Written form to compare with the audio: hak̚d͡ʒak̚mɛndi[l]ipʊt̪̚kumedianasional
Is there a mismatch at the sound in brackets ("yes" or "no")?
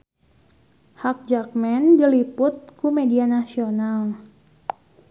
no